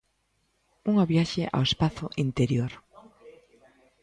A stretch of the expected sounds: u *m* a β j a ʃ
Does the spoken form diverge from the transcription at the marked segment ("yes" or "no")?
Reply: yes